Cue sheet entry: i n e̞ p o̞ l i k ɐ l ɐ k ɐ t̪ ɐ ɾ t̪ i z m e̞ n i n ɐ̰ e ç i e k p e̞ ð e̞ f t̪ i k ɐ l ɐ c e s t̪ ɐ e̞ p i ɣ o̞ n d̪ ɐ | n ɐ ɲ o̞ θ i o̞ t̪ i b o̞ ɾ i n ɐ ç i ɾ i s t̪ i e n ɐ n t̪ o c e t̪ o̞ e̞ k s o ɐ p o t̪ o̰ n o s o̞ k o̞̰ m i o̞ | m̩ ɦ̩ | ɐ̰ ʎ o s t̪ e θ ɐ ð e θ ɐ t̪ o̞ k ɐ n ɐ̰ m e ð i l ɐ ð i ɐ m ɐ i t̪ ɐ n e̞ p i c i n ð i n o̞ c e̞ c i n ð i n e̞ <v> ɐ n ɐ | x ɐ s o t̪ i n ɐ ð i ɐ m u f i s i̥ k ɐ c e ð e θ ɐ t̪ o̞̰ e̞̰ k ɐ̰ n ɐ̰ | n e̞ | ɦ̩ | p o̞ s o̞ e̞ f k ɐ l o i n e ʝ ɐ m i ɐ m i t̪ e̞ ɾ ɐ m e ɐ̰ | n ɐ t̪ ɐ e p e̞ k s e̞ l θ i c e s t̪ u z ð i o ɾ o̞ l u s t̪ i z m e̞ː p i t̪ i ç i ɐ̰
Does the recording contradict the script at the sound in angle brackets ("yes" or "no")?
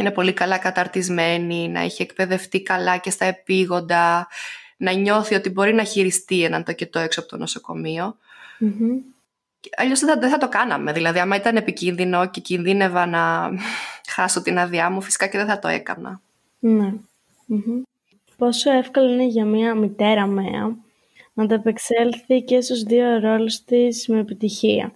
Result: no